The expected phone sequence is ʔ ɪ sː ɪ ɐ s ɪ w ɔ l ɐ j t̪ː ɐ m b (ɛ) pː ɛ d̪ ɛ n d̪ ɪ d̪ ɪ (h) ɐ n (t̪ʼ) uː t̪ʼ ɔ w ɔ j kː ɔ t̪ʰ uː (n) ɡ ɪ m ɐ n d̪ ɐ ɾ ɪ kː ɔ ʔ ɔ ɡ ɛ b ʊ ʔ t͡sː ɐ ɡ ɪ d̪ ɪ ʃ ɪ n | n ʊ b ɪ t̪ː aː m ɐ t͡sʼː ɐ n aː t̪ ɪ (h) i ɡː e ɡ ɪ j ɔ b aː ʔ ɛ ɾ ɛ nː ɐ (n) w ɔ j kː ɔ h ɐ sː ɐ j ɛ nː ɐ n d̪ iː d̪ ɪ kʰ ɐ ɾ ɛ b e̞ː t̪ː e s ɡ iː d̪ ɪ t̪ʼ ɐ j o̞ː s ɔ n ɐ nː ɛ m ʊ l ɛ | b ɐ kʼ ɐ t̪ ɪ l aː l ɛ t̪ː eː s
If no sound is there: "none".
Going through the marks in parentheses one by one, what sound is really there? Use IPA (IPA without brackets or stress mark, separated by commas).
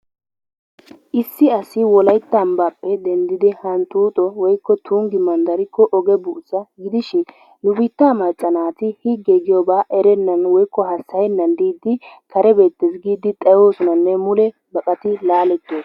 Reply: a, h, t̪, ŋ, h, n